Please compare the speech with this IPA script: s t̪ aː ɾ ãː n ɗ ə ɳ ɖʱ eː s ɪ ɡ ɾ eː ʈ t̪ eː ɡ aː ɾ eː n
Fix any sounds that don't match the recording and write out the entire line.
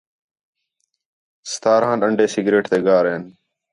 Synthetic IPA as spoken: s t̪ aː ɾ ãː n ɗ ə ɳ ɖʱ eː s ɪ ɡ ɾ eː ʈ t̪ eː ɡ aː ɾ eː n